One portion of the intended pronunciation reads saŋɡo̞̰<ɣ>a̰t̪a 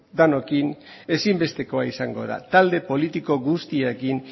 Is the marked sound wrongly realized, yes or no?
yes